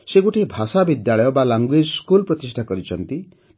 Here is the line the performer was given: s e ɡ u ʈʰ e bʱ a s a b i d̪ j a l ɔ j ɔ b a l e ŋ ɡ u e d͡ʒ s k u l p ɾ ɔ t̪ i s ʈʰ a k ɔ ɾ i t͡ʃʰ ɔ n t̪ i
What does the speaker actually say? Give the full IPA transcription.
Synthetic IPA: s e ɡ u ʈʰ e bʱ a s a b i d̪ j a ɭ ɔ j ɔ b a l a ŋ ɡ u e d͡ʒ s k u l p ɾ ɔ t̪ i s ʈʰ a k ɔ ɾ i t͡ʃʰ ɔ n t̪ i